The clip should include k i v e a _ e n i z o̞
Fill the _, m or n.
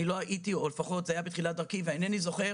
n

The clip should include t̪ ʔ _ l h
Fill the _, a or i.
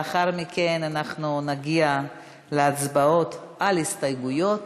a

